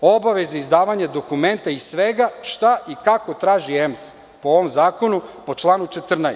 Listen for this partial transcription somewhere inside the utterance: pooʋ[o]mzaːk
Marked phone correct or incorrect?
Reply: correct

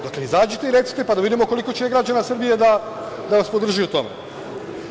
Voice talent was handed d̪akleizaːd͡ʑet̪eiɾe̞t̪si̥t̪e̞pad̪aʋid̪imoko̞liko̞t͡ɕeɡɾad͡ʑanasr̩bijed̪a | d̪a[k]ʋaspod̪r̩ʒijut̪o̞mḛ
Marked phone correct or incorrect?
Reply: incorrect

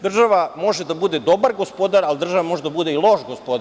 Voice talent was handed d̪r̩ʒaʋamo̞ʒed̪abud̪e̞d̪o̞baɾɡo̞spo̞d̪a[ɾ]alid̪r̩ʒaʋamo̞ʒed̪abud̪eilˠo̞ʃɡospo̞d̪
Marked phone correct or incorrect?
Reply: correct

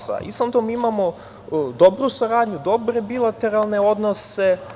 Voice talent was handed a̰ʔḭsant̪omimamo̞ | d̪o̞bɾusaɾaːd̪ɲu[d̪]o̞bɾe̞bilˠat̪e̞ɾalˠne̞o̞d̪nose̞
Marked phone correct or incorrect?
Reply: correct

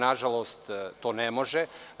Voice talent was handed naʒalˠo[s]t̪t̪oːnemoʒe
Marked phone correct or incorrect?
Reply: correct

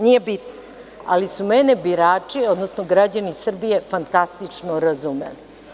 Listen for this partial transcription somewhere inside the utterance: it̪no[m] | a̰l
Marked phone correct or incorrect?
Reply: incorrect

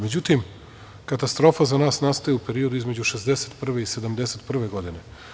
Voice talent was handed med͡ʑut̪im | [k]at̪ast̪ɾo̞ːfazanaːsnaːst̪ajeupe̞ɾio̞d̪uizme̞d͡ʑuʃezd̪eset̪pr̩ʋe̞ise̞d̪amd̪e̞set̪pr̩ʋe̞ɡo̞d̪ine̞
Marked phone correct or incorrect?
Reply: correct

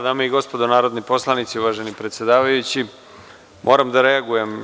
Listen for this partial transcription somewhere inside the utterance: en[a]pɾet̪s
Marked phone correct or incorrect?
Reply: incorrect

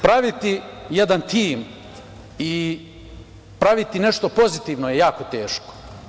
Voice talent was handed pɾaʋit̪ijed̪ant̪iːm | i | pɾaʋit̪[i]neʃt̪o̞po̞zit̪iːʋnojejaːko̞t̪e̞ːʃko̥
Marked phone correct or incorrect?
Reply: correct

